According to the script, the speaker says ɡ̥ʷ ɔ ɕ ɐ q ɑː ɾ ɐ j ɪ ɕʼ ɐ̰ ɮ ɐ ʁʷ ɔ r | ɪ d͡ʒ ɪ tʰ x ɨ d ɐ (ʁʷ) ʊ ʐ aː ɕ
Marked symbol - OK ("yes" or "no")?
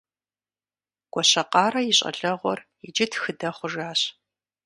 no